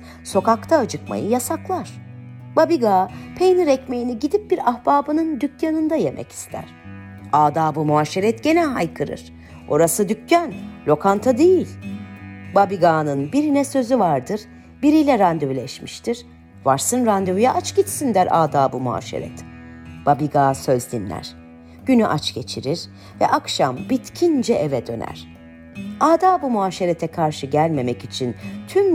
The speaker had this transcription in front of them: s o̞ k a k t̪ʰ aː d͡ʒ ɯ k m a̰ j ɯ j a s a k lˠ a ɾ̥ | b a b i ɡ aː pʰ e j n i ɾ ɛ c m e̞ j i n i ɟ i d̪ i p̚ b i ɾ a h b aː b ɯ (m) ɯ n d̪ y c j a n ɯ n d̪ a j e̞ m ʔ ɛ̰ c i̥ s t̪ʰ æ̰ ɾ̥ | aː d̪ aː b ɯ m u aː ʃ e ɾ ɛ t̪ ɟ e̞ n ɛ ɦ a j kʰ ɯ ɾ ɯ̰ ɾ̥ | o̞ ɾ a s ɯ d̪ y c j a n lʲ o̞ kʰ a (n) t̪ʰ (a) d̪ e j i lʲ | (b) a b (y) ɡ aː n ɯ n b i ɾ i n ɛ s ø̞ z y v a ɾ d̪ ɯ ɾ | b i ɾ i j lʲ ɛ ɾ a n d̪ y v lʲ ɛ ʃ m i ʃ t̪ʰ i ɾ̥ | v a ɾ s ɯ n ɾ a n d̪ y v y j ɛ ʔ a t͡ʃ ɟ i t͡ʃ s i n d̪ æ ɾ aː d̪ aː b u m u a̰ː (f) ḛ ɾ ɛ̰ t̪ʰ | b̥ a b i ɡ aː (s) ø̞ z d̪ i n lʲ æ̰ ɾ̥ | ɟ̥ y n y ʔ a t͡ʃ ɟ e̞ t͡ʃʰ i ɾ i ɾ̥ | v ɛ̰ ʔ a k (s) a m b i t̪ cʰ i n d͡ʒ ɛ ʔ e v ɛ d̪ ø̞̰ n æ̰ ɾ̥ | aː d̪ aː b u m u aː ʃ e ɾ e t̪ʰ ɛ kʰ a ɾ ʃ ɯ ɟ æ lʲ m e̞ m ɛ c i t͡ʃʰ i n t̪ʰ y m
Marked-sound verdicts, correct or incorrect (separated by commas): incorrect, correct, correct, correct, incorrect, incorrect, correct, incorrect